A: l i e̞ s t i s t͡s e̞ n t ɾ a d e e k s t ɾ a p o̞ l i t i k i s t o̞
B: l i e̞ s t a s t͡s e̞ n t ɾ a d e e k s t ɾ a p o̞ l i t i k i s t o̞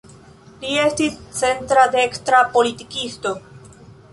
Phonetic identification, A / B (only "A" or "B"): A